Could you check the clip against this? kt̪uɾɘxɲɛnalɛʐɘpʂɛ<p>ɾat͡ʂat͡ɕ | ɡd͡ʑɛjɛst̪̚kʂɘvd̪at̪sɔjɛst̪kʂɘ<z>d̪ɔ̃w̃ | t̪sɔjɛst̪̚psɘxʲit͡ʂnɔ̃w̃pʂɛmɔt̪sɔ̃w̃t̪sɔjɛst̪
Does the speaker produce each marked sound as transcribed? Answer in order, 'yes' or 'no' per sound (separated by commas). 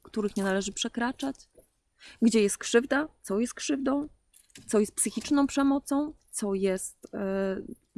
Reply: no, no